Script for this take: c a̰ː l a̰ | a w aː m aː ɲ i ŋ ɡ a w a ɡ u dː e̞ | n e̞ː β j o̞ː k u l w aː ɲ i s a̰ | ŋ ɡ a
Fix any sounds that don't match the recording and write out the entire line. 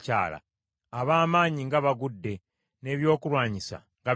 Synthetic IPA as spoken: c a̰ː l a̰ | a β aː m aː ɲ i ŋ ɡ a β a ɡ u dː e̞ | n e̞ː β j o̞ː k u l w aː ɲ i s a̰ | ŋ ɡ a